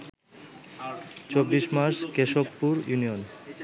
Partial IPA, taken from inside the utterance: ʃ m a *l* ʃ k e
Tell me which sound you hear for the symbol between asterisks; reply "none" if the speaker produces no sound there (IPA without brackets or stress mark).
ɾ